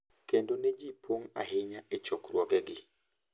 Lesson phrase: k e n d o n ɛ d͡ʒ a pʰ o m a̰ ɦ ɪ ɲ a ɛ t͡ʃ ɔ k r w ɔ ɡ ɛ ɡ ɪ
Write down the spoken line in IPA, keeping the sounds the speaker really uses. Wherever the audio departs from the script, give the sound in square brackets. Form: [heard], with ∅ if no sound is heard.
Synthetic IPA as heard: k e n d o n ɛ d͡ʒ [i] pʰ o [ŋ] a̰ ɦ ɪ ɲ a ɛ t͡ʃ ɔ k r w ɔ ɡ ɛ ɡ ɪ